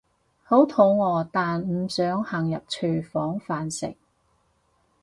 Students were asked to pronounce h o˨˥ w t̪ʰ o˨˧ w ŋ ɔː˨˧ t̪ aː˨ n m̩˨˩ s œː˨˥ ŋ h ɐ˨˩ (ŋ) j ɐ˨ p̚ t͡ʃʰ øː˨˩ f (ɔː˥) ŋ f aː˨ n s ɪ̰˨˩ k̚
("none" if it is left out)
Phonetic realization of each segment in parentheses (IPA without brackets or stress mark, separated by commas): ŋ, ɔː˨˥